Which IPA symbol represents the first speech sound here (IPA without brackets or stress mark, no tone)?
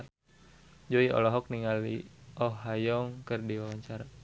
d͡ʒ